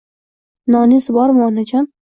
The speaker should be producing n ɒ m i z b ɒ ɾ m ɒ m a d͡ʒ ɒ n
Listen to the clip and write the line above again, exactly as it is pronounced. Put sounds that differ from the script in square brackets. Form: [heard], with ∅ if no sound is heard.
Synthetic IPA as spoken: n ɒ [n] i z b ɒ ɾ m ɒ [n] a d͡ʒ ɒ n

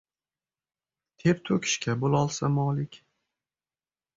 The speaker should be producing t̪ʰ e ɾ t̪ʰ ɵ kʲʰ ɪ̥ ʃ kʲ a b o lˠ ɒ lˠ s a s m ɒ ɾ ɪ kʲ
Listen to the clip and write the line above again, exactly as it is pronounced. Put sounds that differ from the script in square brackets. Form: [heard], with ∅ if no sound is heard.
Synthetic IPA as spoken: t̪ʰ e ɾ t̪ʰ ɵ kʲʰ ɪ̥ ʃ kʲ a b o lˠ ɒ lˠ s a [∅] m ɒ [l] ɪ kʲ

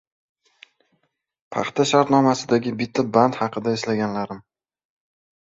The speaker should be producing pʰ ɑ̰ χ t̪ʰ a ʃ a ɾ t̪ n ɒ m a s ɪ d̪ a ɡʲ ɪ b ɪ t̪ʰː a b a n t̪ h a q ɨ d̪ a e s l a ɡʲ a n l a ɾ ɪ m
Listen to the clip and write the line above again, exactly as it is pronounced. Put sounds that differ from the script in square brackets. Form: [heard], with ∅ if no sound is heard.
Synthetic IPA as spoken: pʰ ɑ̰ χ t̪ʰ a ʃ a ɾ t̪ n ɒ m a s ɪ d̪ a ɡʲ ɪ b ɪ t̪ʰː a b a n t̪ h [ɑ] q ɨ d̪ a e s l a ɡʲ a n l a ɾ ɪ m

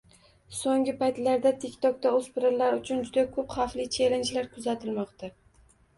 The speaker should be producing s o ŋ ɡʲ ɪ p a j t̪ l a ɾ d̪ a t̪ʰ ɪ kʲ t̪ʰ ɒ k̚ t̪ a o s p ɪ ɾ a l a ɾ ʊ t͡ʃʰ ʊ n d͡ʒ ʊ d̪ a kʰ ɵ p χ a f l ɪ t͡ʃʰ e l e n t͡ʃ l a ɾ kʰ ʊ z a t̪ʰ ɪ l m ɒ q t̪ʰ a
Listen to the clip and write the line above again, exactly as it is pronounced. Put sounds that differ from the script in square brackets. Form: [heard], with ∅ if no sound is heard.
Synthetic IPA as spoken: s o ŋ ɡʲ ɪ p a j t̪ l a ɾ d̪ a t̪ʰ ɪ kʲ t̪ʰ ɒ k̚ t̪ a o s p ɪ ɾ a l a ɾ ʊ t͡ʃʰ ʊ n d͡ʒ ʊ d̪ a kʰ ɵ p χ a f l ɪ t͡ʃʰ e l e n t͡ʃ l a ɾ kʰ ʊ z a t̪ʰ ɪ l m ɒ q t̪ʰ a

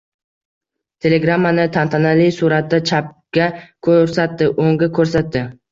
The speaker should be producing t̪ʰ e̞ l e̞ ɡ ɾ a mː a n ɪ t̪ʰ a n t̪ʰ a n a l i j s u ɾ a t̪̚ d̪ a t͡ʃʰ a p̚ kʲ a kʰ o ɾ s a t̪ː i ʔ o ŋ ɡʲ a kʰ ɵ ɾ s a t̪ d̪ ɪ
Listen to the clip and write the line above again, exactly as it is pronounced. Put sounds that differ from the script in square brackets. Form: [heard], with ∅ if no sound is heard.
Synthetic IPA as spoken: t̪ʰ e̞ l e̞ ɡ ɾ a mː a n ɪ t̪ʰ a n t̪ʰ a n a l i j s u ɾ a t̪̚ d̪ a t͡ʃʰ a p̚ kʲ a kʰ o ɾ s a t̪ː [ɪ] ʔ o ŋ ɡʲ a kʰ ɵ ɾ s a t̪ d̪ ɪ

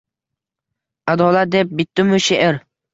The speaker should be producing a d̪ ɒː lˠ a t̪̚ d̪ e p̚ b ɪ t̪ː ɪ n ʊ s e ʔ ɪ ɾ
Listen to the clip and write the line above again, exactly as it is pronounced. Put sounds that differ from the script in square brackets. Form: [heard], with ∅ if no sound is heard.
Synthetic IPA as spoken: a d̪ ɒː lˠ a t̪̚ d̪ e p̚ b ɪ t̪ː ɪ [m] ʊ [ʃ] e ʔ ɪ ɾ

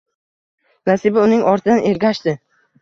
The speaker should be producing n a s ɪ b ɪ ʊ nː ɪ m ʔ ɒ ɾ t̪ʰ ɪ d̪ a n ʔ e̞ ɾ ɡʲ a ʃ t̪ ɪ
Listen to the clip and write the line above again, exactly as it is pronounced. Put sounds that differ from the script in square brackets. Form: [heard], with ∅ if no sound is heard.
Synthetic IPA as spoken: n a s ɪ b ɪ ʊ [n] ɪ [ŋ] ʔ ɒ ɾ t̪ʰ ɪ d̪ a n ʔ e̞ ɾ ɡʲ a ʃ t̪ ɪ

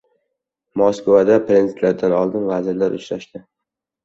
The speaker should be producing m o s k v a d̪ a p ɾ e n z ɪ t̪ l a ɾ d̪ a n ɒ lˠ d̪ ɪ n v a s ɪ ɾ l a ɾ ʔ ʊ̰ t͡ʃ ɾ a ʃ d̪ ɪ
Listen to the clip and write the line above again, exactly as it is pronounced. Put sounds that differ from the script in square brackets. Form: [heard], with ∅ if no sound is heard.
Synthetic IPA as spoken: m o s k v a d̪ a p ɾ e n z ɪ t̪ l a ɾ d̪ a n ɒ lˠ d̪ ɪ n v a [z] ɪ ɾ l a ɾ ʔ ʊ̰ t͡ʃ ɾ a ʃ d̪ ɪ

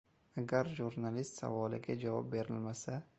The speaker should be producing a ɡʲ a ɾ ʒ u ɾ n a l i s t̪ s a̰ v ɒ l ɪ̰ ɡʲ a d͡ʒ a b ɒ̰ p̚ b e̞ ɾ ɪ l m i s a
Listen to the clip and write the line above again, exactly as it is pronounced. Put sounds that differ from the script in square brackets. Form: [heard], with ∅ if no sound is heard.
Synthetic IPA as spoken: a ɡʲ a ɾ ʒ u ɾ n a l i s t̪ s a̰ v ɒ l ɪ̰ ɡʲ a d͡ʒ a [v] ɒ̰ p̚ b e̞ ɾ ɪ l m [a] s a

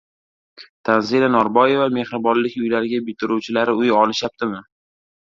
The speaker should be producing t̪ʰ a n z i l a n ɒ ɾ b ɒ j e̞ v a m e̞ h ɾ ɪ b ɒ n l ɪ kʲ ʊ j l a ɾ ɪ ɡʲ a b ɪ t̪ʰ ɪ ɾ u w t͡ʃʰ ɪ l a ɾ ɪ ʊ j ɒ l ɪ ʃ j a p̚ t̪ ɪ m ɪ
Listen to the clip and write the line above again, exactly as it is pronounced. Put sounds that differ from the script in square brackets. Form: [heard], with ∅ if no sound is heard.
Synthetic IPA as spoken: t̪ʰ a n z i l a n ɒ ɾ b ɒ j e̞ v a m e̞ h ɾ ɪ b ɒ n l ɪ kʲ ʊ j l a ɾ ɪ ɡʲ a b ɪ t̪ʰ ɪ ɾ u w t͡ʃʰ ɪ l a ɾ ɪ ʊ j ɒ l ɪ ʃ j a p̚ t̪ ɪ m ɪ

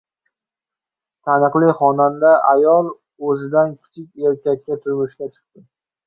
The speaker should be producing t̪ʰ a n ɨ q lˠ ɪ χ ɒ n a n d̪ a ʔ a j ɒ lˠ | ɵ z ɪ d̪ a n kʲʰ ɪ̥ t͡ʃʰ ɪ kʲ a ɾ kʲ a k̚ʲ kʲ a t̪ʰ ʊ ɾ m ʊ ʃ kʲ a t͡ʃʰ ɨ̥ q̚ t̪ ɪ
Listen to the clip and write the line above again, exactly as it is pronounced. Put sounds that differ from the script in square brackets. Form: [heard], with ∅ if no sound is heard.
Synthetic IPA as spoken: t̪ʰ a n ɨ q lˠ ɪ χ ɒ n a n d̪ a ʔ a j ɒ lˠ | ɵ z ɪ d̪ a n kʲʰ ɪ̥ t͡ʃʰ ɪ kʲ [e] ɾ kʲ a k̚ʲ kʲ a t̪ʰ ʊ ɾ m ʊ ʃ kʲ a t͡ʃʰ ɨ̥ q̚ t̪ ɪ

